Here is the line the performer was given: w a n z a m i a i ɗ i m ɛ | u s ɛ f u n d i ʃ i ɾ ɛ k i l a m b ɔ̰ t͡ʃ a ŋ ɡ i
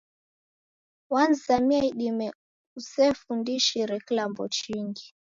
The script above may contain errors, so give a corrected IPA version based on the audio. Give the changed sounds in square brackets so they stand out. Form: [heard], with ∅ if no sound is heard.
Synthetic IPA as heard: w a n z a m i a i ɗ i m ɛ | u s ɛ f u n d i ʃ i ɾ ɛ k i l a m b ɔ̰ t͡ʃ [i] ŋ ɡ i